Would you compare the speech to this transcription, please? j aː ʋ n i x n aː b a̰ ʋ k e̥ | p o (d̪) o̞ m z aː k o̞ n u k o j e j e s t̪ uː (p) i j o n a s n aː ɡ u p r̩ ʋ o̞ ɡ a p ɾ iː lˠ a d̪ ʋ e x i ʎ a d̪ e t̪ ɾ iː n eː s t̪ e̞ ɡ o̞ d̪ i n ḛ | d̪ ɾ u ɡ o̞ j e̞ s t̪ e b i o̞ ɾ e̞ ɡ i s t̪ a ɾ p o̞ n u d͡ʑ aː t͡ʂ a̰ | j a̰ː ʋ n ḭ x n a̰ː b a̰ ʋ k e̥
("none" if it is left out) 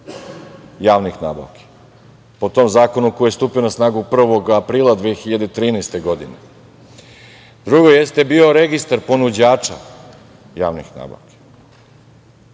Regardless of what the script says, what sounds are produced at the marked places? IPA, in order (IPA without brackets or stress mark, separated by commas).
t̪, p